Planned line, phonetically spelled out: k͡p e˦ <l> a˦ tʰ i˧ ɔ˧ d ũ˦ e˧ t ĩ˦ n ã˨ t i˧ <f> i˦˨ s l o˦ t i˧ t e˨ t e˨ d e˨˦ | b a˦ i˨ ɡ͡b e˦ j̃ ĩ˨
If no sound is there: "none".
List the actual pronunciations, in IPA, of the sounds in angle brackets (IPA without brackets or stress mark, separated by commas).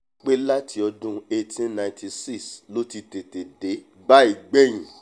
l, s